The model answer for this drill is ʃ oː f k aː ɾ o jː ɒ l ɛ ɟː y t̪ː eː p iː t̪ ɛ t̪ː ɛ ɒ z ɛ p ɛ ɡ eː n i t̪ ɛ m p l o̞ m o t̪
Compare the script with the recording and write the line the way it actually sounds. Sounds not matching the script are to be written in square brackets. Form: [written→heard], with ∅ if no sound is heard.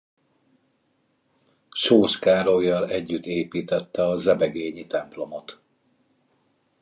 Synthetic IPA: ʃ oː [f→ʃ] k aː ɾ o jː ɒ l ɛ ɟː y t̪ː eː p iː t̪ ɛ t̪ː ɛ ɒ z ɛ [p→b] ɛ ɡ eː [n→ɲ] i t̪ ɛ m p l o̞ m o t̪